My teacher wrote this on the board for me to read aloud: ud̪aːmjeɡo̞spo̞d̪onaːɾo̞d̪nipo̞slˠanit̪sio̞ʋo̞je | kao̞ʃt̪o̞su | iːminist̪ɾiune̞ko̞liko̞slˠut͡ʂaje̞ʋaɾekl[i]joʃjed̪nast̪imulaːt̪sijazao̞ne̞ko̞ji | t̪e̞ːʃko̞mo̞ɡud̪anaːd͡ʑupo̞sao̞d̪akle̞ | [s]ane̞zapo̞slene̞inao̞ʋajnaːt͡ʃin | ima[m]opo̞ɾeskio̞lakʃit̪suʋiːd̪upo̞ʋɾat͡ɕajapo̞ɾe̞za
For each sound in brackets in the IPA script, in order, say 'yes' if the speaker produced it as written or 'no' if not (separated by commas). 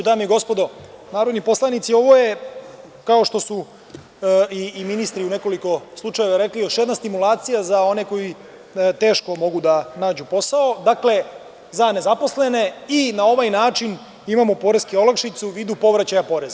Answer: yes, no, yes